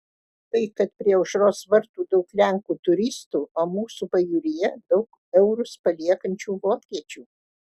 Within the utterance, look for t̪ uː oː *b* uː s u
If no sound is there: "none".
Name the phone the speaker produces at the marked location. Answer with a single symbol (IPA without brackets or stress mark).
m